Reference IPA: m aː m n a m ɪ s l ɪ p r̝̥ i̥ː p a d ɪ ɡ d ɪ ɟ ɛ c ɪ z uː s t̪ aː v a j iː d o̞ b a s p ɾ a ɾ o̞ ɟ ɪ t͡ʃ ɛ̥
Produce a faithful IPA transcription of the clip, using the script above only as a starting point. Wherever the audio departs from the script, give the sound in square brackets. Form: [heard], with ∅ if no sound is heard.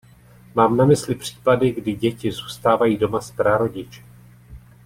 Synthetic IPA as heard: m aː m n a m ɪ s l ɪ p r̝̥ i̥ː p a d ɪ ɡ d ɪ ɟ ɛ c ɪ z uː s t̪ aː v a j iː d o̞ [m] a s p ɾ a ɾ o̞ ɟ ɪ t͡ʃ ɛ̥